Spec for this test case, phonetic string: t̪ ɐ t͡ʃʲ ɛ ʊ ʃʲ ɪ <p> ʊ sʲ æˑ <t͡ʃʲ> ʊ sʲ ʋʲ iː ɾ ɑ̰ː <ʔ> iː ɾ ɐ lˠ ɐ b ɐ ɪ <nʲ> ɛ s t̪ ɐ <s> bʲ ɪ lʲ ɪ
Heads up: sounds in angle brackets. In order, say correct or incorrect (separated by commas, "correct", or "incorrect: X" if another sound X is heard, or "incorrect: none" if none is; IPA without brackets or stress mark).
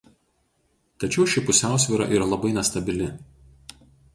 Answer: correct, incorrect: none, correct, correct, incorrect: none